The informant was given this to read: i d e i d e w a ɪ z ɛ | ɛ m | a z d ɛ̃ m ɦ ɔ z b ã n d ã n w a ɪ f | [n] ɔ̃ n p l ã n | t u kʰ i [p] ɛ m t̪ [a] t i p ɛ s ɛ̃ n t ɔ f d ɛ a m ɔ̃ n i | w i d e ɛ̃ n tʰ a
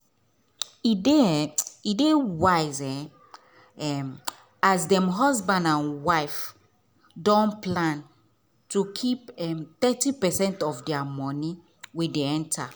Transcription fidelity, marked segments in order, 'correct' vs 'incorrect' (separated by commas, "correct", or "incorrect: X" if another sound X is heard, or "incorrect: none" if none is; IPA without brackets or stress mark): incorrect: d, correct, incorrect: ɛ